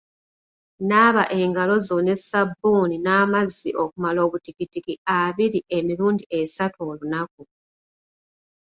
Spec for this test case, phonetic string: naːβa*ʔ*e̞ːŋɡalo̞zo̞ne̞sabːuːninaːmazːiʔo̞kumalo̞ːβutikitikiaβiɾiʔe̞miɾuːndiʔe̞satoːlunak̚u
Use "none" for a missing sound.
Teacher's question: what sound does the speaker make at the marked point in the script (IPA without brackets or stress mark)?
ʔ